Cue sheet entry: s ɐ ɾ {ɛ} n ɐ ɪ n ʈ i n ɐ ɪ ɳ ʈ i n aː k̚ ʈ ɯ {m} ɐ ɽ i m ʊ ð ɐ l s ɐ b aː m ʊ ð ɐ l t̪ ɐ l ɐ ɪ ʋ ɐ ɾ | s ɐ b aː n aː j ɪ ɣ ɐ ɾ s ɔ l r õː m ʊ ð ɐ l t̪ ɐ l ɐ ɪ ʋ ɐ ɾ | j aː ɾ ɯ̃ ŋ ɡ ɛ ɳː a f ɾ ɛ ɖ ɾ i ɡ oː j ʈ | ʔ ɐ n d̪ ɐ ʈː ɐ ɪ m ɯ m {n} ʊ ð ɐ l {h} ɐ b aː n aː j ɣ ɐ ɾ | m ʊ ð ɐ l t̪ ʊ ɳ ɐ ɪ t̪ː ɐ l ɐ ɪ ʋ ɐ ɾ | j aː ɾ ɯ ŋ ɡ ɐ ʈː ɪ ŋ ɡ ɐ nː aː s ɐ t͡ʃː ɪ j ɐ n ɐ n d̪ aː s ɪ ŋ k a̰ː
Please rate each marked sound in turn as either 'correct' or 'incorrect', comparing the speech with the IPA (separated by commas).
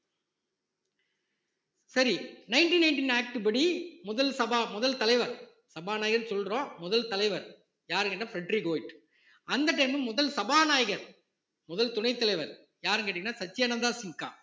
incorrect, incorrect, incorrect, incorrect